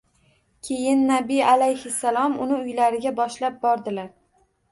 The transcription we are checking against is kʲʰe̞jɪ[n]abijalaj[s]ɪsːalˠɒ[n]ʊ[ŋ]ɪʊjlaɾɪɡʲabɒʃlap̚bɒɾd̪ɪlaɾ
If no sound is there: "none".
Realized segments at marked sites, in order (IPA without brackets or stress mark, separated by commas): nː, h, m, n